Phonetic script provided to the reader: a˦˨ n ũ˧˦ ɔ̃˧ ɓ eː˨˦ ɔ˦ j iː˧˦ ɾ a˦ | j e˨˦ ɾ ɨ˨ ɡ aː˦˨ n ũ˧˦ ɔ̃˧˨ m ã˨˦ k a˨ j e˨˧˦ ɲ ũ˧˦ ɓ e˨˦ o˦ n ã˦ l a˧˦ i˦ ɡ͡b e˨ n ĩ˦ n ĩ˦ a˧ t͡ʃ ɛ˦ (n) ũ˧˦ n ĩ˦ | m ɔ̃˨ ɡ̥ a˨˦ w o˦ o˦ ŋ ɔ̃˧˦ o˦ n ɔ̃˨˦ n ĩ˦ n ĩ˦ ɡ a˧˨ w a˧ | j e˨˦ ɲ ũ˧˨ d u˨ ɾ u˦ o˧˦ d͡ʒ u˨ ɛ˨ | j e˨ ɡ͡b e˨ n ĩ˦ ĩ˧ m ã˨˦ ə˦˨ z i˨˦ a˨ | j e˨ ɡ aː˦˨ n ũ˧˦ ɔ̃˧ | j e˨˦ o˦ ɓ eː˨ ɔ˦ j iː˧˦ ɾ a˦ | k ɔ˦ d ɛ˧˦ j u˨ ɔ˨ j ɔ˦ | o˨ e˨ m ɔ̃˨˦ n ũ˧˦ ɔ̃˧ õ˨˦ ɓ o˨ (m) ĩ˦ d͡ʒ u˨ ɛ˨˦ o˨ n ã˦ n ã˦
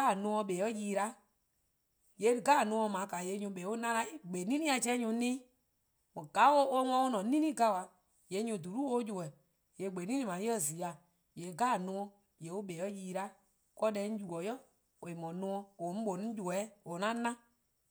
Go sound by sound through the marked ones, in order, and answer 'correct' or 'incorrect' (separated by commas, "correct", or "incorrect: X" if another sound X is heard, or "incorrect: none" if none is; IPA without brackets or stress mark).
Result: incorrect: ɲ, incorrect: n